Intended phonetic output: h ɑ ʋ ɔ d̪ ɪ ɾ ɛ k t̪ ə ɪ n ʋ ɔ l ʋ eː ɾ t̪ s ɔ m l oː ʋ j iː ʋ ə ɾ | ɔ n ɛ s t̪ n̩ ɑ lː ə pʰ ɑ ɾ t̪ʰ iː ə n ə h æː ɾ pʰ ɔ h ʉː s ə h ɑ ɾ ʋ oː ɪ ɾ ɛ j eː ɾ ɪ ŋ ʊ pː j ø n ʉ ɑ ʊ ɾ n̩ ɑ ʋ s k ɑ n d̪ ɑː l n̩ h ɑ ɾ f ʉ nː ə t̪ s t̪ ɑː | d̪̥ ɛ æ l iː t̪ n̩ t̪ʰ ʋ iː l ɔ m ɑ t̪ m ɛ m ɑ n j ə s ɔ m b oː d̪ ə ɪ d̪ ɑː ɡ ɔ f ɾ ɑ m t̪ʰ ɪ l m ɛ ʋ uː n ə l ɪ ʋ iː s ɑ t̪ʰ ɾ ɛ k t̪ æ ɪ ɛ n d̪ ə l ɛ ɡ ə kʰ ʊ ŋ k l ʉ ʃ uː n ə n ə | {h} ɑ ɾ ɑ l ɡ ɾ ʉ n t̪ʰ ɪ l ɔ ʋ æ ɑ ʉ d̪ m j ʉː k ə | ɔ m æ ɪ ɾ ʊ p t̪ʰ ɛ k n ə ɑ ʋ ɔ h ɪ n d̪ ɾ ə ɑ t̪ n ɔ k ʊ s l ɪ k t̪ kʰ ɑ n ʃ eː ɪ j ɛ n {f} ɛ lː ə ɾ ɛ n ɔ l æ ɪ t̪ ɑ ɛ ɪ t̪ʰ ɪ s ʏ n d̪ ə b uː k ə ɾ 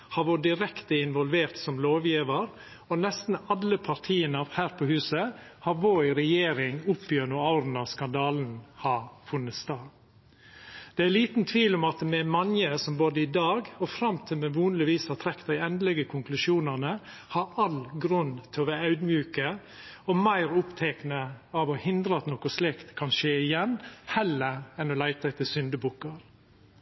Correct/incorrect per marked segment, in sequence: correct, incorrect: h

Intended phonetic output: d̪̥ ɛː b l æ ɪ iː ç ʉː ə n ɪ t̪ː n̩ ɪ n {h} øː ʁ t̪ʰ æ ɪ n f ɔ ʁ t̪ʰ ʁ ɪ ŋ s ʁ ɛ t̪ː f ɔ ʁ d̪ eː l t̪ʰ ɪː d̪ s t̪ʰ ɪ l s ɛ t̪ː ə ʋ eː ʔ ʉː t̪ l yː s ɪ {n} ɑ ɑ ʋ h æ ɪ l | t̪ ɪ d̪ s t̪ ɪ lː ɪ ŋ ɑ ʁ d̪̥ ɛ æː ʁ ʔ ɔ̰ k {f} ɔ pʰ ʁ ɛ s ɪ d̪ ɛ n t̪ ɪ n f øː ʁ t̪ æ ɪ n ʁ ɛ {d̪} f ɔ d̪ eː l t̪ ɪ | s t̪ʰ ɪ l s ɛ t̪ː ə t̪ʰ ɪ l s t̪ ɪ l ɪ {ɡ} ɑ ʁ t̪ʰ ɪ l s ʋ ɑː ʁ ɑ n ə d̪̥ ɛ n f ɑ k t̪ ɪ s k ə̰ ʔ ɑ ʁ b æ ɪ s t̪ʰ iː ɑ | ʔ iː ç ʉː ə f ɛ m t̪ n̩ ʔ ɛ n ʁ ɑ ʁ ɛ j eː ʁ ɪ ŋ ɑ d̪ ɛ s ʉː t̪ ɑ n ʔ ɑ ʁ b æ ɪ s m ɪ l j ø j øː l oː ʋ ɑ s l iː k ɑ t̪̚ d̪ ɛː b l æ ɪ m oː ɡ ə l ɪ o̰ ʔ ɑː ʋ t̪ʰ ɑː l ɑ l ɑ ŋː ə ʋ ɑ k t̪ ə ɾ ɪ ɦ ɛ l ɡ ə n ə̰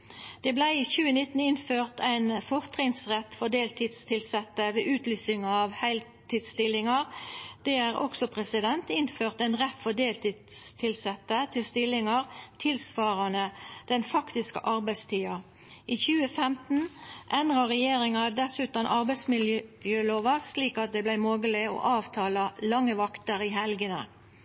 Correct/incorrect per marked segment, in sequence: incorrect: f, incorrect: ŋ, incorrect: s, incorrect: t̪, incorrect: ŋ

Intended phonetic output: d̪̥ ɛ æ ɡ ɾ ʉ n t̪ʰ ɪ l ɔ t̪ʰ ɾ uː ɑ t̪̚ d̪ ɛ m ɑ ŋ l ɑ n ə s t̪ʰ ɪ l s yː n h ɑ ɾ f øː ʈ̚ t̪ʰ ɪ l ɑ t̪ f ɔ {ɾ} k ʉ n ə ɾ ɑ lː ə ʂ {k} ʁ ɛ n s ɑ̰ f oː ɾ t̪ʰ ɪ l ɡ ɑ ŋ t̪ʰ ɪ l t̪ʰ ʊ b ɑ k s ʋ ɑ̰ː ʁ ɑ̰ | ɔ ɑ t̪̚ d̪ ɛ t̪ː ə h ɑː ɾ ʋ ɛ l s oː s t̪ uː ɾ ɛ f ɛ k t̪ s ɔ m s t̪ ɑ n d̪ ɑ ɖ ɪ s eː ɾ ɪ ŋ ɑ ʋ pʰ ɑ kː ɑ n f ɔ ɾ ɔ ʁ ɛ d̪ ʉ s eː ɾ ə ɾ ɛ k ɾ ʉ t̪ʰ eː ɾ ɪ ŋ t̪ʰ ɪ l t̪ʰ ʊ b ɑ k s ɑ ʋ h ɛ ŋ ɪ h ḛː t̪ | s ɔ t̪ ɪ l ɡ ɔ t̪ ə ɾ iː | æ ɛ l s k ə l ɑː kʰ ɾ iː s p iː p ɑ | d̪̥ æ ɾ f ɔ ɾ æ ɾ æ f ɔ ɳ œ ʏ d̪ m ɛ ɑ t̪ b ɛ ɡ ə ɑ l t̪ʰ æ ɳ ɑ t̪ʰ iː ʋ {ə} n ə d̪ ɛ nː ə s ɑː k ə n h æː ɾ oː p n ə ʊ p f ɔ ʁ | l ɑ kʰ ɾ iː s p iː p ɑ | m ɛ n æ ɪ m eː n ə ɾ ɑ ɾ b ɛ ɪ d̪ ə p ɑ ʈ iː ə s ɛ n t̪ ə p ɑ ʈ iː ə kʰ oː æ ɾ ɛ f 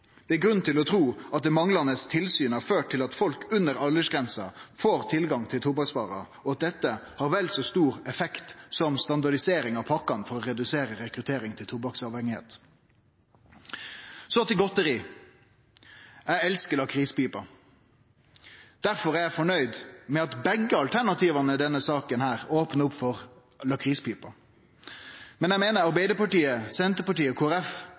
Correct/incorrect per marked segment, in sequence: incorrect: l, incorrect: ɡ, incorrect: ɑ

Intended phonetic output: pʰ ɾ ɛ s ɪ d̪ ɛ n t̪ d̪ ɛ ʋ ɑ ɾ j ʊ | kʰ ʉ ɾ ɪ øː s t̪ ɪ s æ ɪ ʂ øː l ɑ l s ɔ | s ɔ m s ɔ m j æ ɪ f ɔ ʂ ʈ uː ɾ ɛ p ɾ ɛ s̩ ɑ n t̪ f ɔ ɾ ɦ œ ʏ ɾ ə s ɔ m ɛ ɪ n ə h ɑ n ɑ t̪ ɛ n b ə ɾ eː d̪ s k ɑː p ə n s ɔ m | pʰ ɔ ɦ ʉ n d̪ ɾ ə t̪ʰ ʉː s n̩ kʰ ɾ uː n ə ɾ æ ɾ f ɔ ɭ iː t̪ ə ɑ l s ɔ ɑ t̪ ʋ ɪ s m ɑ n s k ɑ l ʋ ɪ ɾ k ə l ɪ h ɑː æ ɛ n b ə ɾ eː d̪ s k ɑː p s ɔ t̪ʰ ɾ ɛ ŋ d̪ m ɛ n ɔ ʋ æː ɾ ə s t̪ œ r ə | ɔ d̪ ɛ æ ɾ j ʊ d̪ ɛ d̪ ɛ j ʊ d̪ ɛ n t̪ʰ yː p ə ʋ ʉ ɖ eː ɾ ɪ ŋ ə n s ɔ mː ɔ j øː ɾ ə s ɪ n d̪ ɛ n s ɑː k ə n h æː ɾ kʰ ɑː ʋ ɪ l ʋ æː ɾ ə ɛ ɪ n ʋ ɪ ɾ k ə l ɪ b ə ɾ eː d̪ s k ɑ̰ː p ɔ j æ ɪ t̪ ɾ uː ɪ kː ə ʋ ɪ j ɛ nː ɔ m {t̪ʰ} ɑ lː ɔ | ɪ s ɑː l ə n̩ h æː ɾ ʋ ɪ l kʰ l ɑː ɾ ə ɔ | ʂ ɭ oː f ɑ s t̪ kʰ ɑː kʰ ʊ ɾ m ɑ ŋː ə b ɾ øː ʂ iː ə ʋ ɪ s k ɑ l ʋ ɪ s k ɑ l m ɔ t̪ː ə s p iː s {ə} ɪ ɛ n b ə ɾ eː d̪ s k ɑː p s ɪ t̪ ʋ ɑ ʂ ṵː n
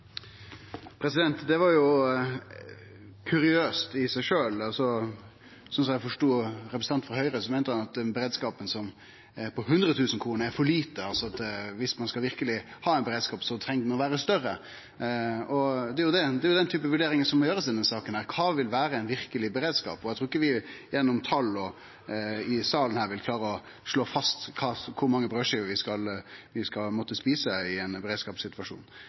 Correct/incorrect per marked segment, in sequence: correct, correct

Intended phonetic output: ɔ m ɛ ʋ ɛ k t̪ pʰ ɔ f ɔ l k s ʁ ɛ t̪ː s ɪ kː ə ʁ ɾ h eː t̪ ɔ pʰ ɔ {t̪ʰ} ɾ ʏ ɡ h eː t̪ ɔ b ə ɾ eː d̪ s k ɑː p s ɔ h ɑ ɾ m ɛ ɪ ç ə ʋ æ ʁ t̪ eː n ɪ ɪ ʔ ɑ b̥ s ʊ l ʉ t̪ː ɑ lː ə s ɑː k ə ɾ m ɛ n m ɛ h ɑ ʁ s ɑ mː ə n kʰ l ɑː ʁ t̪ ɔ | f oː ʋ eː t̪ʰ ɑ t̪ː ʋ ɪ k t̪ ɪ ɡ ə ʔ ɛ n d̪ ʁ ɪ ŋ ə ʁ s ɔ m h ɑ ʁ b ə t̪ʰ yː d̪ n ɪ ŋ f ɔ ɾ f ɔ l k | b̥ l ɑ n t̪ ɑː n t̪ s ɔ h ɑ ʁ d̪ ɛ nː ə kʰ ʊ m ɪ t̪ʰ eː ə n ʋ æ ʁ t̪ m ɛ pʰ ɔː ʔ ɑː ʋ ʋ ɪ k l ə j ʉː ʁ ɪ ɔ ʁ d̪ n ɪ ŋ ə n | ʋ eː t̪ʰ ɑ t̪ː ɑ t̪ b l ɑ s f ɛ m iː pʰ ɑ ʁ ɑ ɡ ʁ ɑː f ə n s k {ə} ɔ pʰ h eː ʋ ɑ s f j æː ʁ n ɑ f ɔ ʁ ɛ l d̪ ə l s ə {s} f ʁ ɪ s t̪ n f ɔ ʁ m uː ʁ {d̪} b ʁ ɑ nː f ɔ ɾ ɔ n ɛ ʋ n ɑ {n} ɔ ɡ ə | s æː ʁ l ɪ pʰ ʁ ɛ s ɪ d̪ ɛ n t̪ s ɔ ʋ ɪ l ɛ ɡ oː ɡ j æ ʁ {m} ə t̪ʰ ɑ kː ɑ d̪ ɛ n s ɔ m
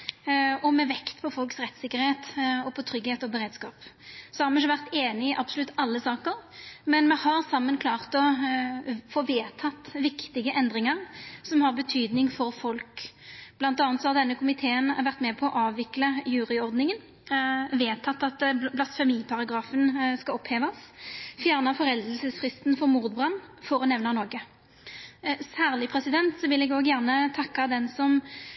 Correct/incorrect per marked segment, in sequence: correct, incorrect: ɑ, correct, correct, correct, incorrect: n

